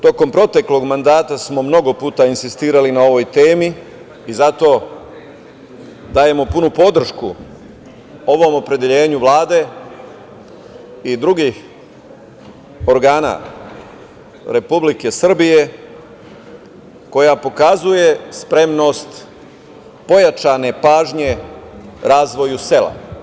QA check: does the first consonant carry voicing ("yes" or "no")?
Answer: no